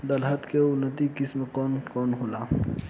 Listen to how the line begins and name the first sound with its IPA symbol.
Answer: d̪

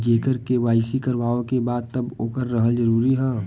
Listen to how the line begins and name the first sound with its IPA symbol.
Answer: d͡ʒ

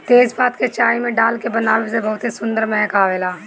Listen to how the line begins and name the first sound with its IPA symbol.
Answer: t̪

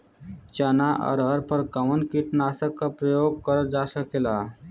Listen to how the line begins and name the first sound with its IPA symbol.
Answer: t͡ʃ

